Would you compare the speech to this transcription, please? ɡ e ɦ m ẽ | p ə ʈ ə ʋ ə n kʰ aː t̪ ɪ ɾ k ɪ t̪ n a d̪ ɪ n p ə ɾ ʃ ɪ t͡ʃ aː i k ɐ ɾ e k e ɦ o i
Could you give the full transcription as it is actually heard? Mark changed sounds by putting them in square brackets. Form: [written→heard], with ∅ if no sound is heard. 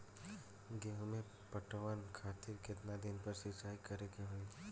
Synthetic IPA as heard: ɡ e ɦ m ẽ | p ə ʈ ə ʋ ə n kʰ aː t̪ ɪ ɾ k ɪ t̪ n a d̪ ɪ n p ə ɾ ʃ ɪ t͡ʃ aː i k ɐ ɾ e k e ɦ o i

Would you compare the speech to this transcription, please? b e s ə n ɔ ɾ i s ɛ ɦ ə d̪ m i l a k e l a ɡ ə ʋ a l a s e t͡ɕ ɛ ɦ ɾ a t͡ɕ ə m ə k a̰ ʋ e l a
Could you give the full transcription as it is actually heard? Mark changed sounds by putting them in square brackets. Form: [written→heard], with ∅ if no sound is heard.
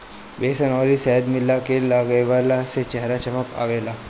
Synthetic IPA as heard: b e s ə n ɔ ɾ i s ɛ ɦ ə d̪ m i l a k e l a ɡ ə ʋ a l a s e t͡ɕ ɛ ɦ ɾ a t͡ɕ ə m ə k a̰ ʋ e l a

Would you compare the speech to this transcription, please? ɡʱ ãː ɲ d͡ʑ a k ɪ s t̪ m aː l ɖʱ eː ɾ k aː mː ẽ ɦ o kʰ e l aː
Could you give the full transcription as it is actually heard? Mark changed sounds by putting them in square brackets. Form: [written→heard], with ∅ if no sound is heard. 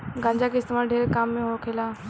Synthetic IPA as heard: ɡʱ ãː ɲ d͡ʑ a k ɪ s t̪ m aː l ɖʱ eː ɾ k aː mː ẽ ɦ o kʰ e l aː

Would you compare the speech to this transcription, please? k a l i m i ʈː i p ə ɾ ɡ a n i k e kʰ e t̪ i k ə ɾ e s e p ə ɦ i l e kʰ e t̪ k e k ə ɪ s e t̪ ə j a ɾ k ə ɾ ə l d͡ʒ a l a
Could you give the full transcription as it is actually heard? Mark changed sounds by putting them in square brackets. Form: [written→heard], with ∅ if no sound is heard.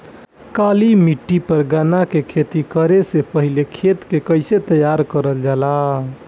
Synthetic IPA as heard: k a l i m i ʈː i p ə ɾ ɡ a n [i→a] k e kʰ e t̪ i k ə ɾ e s e p ə ɦ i l e kʰ e t̪ k e k ə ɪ s e t̪ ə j a ɾ k ə ɾ ə l d͡ʒ a l a

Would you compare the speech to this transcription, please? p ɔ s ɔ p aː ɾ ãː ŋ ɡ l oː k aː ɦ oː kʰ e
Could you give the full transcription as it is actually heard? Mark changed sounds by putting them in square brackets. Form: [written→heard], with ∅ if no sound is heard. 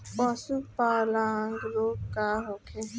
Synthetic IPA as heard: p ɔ s [ɔ→u] p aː [ɾ→l] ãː ŋ ɡ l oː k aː ɦ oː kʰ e

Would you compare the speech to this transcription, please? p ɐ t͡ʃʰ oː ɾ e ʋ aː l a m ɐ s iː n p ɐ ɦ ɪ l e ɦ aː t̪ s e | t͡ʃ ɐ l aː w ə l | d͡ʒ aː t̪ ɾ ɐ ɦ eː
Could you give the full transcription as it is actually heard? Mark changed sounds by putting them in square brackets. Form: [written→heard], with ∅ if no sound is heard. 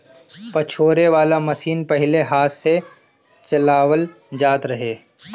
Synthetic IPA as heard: p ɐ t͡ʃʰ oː ɾ e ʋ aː l a m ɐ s iː n p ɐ ɦ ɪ l e ɦ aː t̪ s e | t͡ʃ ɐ l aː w ə l | d͡ʒ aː t̪ ɾ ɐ ɦ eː

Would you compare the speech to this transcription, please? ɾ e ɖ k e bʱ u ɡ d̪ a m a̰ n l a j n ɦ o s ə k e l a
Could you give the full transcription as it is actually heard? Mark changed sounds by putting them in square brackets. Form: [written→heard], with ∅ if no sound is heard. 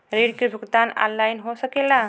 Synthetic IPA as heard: ɾ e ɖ k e bʱ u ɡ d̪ a [m→n] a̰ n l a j n ɦ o s ə k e l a

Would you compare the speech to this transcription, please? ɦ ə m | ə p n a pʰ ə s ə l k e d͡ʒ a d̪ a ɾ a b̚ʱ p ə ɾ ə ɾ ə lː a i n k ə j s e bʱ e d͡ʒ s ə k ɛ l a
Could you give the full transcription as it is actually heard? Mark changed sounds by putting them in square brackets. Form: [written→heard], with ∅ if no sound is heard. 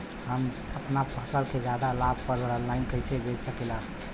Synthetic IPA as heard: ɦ ə m | ə p n a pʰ ə s ə l k e d͡ʒ a d̪ a [ɾ→l] a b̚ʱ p ə ɾ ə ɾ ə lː a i n k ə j s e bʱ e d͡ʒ s ə k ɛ l a

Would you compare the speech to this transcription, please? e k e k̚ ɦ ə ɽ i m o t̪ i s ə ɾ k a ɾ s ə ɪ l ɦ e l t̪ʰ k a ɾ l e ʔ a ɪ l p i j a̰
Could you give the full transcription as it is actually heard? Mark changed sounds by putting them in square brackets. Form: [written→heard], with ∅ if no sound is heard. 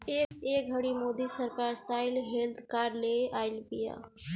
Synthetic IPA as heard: e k e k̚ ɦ ə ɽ i m o [t̪→d̪] i s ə ɾ k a ɾ s [ə→a] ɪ l ɦ e l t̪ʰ k a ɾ l e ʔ a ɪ l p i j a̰

